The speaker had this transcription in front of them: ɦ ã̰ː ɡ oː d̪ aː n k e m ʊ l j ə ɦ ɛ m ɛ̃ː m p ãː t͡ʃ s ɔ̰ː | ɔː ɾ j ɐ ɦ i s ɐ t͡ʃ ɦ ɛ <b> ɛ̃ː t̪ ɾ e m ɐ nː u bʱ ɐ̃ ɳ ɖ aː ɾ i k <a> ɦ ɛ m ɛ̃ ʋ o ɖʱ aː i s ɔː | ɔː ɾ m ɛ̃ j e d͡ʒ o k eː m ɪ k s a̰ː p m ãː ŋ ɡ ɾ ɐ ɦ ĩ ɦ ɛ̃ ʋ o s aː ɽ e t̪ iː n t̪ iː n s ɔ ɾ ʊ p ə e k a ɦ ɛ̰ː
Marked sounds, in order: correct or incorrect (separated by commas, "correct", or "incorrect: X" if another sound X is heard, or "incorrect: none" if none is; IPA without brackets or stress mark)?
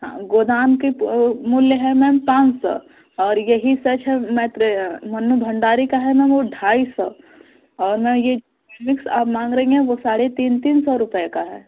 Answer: incorrect: m, correct